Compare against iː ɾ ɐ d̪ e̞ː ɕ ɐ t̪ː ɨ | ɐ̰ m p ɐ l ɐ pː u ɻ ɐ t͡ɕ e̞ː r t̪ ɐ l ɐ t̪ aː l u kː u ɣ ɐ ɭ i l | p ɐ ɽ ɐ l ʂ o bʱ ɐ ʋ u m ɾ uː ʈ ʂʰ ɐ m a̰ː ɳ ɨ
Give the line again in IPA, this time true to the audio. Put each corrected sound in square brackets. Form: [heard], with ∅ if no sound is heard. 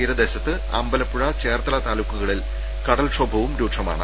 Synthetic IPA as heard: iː ɾ ɐ d̪ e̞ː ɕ ɐ t̪ː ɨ | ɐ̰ m [b] ɐ l ɐ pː u ɻ ɐ t͡ɕ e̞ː r t̪ ɐ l ɐ t̪ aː l u kː u ɣ ɐ ɭ i l | [k] ɐ ɽ ɐ l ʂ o bʱ ɐ ʋ u m ɾ uː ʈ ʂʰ ɐ m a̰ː ɳ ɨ